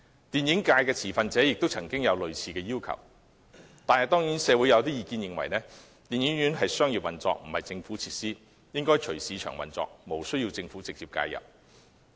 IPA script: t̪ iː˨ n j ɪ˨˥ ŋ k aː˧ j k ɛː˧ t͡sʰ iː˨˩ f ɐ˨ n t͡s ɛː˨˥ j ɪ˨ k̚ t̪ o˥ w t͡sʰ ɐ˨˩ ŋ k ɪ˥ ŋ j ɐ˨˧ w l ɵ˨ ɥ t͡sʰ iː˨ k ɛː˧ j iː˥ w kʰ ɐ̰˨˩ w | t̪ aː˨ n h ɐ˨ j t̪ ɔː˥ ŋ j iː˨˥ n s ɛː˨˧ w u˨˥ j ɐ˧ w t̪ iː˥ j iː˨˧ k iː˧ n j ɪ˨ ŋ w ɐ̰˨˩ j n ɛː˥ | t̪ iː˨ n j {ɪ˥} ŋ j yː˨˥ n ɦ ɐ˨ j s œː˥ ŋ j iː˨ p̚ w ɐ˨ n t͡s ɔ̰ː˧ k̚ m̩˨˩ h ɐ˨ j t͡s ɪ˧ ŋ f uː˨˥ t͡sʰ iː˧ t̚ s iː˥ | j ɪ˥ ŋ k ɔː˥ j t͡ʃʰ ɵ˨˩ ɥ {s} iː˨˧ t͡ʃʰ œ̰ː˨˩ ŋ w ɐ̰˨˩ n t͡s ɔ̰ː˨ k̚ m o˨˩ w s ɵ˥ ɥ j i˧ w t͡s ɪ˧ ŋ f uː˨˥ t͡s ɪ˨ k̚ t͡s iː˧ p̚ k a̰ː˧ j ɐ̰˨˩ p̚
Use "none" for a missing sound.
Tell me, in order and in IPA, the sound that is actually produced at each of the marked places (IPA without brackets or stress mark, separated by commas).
ɪ˨˥, s